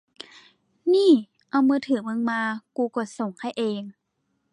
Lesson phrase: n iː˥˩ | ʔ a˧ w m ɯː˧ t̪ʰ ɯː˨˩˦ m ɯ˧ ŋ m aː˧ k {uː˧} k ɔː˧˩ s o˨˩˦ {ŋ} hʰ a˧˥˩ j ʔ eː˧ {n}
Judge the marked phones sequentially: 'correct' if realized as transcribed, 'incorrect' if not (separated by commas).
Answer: correct, correct, incorrect